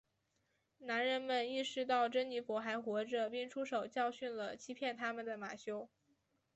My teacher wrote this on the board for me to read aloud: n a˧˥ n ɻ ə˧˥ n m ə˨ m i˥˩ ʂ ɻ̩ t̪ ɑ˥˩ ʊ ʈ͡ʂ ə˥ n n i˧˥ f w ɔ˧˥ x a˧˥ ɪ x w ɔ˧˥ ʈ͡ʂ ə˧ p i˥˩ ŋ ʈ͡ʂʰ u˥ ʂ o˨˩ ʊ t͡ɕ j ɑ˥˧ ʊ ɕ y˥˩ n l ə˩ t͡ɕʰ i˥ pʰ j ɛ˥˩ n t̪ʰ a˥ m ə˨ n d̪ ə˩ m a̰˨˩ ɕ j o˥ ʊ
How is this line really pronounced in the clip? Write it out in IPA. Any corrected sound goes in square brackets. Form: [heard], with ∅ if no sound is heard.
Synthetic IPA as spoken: n a˧˥ n ɻ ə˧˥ n m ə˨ [n] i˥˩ ʂ ɻ̩ t̪ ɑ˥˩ ʊ ʈ͡ʂ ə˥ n n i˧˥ f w ɔ˧˥ x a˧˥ ɪ x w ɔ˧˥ ʈ͡ʂ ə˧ p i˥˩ ŋ ʈ͡ʂʰ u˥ ʂ o˨˩ ʊ t͡ɕ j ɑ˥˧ ʊ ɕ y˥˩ n l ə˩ t͡ɕʰ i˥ pʰ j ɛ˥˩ n t̪ʰ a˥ m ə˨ n d̪ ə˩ m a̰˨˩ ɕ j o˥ ʊ